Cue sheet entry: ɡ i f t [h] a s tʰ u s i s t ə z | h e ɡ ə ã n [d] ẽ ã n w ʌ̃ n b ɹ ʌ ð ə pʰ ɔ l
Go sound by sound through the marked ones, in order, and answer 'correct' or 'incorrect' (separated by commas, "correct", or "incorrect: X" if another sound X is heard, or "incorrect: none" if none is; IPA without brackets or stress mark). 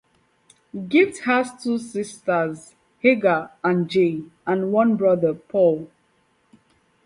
correct, incorrect: d͡ʒ